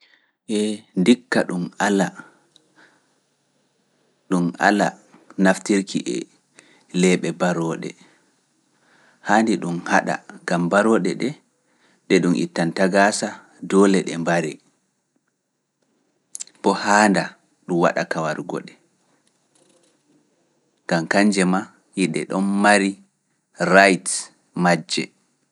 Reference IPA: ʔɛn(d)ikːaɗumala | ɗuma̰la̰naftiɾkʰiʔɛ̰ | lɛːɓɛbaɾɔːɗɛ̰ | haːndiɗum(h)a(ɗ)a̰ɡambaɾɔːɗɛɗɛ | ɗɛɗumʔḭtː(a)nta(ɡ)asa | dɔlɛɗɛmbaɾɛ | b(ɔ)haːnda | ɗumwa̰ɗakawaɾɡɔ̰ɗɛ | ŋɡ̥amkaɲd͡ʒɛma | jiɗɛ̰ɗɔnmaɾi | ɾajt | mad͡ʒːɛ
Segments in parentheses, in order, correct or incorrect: correct, correct, correct, correct, correct, correct

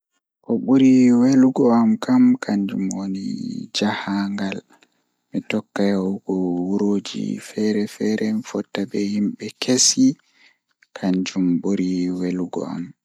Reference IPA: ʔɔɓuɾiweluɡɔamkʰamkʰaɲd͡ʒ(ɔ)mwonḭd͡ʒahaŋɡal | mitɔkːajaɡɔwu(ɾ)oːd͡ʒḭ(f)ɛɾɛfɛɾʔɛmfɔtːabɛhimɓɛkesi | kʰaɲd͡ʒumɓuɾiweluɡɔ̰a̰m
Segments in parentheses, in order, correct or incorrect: incorrect: u, correct, correct

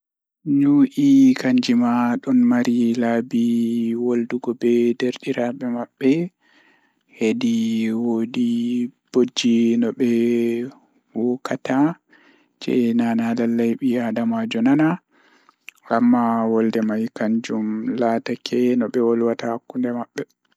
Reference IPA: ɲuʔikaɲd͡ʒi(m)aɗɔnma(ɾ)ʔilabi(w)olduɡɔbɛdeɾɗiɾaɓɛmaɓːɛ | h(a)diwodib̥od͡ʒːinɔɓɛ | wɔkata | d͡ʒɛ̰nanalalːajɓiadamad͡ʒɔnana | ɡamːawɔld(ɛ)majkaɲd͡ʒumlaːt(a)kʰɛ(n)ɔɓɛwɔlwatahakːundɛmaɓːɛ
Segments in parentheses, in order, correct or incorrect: correct, correct, correct, incorrect: e, correct, correct, correct

